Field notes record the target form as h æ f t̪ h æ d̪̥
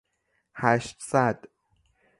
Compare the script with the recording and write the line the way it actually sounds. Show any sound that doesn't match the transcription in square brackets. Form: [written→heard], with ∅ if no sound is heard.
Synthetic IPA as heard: h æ [f→ʃ] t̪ [h→s] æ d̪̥

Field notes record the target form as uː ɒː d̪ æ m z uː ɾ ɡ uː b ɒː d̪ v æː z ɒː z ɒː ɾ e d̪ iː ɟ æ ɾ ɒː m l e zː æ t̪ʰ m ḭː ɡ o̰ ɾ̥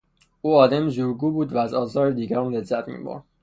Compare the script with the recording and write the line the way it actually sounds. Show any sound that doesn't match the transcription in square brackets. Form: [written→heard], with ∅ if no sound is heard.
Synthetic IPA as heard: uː ɒː d̪ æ m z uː ɾ ɡ uː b [ɒː→uː] d̪ v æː z ɒː z ɒː ɾ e d̪ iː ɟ æ ɾ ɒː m l e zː æ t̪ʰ m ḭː [ɡ→b] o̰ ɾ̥

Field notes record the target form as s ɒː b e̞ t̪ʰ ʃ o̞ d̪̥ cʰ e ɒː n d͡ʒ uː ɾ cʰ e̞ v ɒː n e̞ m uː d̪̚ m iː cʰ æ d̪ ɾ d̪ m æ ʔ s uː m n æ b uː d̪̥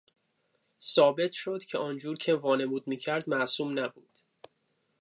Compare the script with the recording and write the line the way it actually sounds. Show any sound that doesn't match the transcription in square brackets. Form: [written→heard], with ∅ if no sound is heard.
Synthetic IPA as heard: s ɒː b e̞ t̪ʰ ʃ o̞ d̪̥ cʰ e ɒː n d͡ʒ uː ɾ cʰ e̞ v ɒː n e̞ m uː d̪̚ m iː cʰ æ [d̪→∅] ɾ d̪ m æ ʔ s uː m n æ b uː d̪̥

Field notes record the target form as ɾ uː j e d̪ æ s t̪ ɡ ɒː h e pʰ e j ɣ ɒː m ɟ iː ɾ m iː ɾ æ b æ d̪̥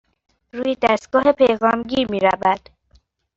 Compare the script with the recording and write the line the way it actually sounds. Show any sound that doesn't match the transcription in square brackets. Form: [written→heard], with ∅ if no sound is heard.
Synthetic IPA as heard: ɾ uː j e d̪ æ s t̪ ɡ ɒː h e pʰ e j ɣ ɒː m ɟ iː ɾ m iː ɾ æ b æ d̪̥

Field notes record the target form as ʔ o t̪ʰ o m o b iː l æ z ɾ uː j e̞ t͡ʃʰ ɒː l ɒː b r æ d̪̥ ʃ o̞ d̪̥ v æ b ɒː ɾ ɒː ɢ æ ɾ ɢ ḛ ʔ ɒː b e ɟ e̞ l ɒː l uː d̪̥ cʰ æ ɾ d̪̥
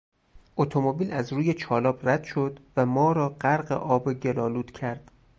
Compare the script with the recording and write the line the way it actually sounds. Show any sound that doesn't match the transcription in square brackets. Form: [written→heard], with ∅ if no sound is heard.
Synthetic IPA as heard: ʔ o t̪ʰ o m o b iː l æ z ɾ uː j e̞ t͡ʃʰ ɒː l ɒː b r æ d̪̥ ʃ o̞ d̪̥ v æ [b→m] ɒː ɾ ɒː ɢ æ ɾ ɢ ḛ ʔ ɒː b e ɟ e̞ l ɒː l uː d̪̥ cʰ æ ɾ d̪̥

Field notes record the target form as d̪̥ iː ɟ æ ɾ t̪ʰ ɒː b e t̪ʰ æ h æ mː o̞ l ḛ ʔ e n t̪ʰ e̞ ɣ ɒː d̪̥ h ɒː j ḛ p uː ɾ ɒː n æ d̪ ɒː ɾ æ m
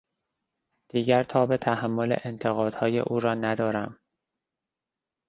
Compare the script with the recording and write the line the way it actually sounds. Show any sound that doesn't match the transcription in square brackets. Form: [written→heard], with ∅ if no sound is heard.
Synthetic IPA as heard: d̪̥ iː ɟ æ ɾ t̪ʰ ɒː b e t̪ʰ æ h æ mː o̞ l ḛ ʔ e n t̪ʰ e̞ ɣ ɒː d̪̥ h ɒː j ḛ [p→ʔ] uː ɾ ɒː n æ d̪ ɒː ɾ æ m

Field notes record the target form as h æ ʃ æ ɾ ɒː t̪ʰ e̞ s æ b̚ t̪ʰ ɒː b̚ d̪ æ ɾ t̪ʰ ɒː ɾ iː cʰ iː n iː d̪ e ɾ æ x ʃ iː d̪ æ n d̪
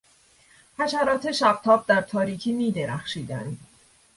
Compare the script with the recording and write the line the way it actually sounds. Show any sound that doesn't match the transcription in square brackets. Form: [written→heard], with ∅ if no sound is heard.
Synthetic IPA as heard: h æ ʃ æ ɾ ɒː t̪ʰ e̞ [s→ʃ] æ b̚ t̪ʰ ɒː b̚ d̪ æ ɾ t̪ʰ ɒː ɾ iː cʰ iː n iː d̪ e ɾ æ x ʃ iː d̪ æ n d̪

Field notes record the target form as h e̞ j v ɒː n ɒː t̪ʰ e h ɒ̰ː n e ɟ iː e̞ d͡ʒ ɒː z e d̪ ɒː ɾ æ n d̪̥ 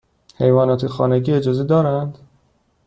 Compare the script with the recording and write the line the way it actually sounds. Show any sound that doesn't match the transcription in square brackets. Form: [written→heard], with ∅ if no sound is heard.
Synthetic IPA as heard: h e̞ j v ɒː n ɒː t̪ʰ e [h→x] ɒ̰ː n e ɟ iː e̞ d͡ʒ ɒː z e d̪ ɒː ɾ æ n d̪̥

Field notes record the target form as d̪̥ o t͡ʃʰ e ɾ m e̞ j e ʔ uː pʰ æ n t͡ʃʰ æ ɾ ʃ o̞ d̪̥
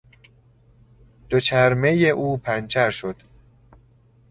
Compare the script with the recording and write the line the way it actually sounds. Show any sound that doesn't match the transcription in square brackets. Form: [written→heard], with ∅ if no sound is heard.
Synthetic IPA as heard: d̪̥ o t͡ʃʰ [e→æ] ɾ m e̞ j e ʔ uː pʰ æ n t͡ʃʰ æ ɾ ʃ o̞ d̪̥

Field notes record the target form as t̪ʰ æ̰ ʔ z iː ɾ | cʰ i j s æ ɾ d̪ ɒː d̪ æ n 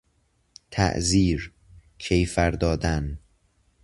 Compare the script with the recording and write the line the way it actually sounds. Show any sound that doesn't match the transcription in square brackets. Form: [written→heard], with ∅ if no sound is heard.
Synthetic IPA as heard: t̪ʰ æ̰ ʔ z iː ɾ | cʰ [i→e] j [s→f] æ ɾ d̪ ɒː d̪ æ n

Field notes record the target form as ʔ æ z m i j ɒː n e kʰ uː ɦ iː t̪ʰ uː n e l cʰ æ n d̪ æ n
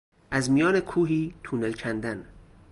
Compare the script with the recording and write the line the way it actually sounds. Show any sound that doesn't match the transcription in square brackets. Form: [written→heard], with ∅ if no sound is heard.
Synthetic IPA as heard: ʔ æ z m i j ɒː n e kʰ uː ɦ iː t̪ʰ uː n e l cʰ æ n d̪ æ n

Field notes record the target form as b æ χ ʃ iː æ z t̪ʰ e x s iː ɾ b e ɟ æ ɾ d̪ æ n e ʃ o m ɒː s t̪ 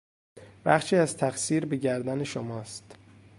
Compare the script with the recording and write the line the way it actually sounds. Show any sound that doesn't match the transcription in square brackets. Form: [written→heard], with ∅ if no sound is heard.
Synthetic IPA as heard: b æ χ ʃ iː æ z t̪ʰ [e→æ] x s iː ɾ b e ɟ æ ɾ d̪ æ n e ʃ o m ɒː s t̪

